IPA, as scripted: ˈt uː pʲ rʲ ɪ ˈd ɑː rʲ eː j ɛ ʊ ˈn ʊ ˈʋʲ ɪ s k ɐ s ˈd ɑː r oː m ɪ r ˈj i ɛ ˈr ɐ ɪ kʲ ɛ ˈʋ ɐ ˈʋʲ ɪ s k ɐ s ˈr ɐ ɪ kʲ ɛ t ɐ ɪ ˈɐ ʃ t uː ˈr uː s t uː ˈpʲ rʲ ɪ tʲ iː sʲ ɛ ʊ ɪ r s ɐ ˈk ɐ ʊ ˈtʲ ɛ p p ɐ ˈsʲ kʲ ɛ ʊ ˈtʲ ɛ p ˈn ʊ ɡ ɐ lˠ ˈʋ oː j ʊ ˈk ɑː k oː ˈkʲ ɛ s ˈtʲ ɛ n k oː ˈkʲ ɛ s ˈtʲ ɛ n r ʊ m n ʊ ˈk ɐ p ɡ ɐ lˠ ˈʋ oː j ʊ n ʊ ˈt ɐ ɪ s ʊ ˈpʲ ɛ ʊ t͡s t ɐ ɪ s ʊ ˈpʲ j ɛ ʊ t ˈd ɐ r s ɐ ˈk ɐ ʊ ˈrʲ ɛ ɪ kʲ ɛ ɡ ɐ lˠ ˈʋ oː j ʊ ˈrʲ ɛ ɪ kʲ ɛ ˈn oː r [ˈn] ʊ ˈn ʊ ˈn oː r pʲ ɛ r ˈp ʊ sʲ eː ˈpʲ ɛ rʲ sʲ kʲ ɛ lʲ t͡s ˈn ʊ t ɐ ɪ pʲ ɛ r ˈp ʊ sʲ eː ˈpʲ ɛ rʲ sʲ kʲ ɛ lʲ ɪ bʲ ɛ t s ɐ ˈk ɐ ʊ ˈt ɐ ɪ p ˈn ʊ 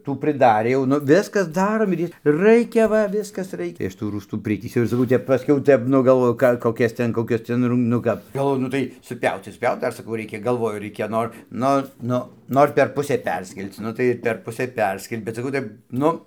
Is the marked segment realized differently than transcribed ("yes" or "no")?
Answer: no